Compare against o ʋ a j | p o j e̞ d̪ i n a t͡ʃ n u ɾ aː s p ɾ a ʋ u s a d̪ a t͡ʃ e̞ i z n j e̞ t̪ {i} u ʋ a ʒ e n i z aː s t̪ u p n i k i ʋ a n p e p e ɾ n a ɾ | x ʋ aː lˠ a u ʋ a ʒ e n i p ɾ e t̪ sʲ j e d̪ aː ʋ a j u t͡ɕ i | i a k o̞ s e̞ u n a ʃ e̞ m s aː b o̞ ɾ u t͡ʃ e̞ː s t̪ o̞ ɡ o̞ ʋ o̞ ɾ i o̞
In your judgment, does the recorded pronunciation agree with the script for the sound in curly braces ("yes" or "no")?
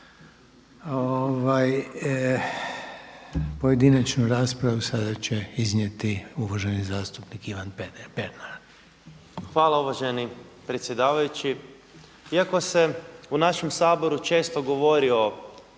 yes